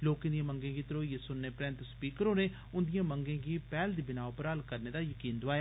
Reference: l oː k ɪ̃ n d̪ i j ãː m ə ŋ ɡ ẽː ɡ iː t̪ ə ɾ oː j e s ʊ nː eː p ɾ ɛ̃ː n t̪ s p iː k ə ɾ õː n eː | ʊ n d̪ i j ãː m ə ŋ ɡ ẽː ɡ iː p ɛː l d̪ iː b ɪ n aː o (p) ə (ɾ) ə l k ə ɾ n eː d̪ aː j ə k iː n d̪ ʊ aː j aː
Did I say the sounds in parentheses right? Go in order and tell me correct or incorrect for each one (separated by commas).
correct, correct